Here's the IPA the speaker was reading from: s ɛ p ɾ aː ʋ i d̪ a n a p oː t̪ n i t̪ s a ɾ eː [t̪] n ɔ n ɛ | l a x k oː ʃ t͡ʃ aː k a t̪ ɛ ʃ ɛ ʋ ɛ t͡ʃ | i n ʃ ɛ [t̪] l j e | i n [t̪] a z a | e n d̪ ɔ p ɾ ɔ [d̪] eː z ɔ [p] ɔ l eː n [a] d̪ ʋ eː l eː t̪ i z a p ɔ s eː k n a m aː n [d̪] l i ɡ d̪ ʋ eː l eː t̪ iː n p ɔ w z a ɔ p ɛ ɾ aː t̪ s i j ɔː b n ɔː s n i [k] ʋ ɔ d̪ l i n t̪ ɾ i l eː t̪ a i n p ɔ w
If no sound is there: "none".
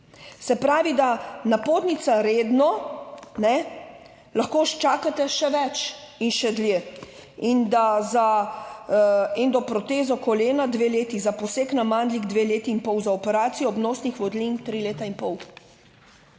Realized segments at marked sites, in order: d̪, d̪, d̪, t̪, k, a, d̪, x

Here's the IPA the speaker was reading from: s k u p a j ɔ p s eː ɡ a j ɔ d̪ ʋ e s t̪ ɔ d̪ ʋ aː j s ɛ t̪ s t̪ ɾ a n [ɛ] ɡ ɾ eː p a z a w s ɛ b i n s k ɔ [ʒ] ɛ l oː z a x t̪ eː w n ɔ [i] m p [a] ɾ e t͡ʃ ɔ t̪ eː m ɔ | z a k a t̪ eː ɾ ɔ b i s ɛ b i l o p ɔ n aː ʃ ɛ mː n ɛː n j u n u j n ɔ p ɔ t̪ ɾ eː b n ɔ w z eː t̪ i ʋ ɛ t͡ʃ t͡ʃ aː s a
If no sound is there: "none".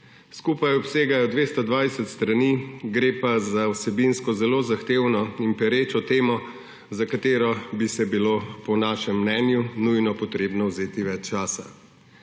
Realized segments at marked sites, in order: i, z, i, ɛ

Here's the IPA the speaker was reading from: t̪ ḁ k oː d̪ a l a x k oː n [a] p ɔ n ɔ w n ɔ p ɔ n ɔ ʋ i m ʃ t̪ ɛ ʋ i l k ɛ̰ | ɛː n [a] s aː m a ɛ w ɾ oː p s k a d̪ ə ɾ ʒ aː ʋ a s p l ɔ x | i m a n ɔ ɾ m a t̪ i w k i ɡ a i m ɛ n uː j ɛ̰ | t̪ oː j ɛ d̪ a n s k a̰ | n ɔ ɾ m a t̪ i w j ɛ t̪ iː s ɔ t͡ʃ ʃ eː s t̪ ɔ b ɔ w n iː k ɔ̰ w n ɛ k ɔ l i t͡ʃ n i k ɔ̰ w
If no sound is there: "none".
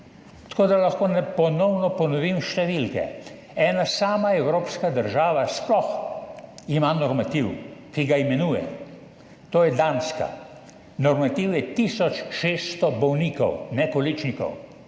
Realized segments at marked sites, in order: ɛ, a

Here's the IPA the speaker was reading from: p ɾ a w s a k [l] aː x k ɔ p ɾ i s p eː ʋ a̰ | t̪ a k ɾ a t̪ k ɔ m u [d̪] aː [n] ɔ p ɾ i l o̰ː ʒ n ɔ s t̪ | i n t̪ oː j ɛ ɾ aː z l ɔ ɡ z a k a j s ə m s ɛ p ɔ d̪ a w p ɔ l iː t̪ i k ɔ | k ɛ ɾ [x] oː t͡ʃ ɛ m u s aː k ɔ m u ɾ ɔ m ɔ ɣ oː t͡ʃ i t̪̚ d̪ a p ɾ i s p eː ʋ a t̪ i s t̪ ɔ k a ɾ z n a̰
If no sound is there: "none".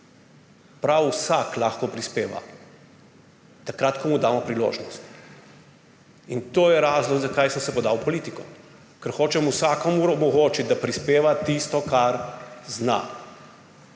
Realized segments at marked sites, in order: l, d̪, m, x

